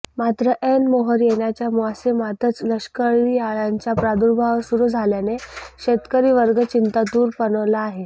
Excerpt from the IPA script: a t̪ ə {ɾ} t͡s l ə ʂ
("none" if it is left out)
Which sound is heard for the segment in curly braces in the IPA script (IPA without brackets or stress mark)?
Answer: none